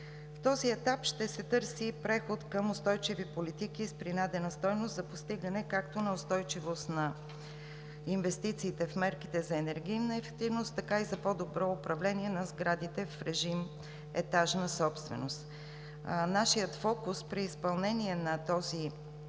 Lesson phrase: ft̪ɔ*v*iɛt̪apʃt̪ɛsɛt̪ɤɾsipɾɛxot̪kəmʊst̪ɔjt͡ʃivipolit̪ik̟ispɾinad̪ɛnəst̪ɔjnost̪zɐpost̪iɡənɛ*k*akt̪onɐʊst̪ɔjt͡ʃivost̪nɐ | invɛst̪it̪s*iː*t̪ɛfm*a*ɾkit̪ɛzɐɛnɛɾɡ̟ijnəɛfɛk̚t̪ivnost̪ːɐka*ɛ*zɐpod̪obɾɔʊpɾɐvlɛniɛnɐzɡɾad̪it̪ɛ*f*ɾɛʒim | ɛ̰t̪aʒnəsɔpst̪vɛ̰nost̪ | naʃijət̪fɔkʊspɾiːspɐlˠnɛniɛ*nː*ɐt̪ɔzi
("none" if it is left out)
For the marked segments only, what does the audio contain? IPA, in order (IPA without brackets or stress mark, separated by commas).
z, k, iː, ɛ, i, f, n